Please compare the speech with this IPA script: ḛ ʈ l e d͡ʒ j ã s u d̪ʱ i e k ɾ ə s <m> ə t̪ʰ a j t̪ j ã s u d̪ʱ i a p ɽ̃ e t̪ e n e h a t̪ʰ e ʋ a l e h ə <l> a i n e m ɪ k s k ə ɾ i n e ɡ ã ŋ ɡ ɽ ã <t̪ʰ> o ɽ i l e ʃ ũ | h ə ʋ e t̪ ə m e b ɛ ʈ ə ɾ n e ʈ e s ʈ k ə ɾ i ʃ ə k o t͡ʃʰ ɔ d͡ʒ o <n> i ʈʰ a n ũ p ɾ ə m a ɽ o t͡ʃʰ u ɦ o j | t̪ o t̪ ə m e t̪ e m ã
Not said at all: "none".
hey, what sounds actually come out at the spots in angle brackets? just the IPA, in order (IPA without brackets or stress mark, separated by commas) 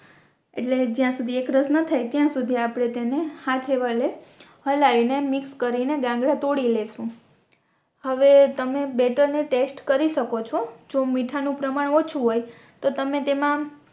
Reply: n, l, t̪, m